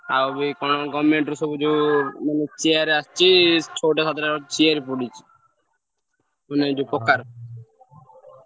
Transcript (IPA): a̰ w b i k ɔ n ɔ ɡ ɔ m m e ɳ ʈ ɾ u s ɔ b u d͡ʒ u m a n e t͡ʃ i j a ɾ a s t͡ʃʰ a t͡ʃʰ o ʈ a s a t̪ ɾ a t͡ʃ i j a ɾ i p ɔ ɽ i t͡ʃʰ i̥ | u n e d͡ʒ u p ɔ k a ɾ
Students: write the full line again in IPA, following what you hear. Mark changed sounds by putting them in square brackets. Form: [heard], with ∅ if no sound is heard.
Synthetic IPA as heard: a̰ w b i k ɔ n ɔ ɡ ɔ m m e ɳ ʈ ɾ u s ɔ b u d͡ʒ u m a n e t͡ʃ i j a ɾ a s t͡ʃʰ [i] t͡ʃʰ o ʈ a s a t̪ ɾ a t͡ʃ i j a ɾ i p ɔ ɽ i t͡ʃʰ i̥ | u n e d͡ʒ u p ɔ k a ɾ